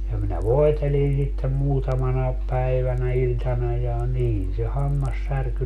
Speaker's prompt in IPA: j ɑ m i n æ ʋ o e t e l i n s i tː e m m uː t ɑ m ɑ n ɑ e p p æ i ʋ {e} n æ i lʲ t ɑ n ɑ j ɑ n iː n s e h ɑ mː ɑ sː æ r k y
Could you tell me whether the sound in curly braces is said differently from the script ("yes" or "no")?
yes